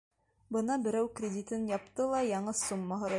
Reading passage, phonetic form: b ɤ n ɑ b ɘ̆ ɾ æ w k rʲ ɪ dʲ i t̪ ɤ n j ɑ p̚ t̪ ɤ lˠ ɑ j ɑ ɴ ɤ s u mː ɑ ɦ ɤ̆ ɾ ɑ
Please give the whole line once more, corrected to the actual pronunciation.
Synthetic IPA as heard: b ɤ n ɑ b ɘ̆ ɾ æ w k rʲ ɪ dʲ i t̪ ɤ n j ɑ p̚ t̪ ɤ lˠ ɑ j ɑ ɴ ɤ s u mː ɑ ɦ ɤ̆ ɾ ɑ